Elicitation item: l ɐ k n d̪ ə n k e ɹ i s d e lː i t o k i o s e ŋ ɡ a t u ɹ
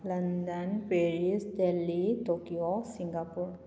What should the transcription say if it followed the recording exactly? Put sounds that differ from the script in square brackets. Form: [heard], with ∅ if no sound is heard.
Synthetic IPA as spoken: l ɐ [∅] n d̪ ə n [p] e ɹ i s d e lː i t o k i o s [i] ŋ ɡ a [p] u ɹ